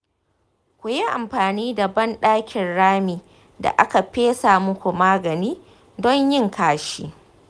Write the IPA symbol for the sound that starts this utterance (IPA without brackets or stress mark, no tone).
kʷ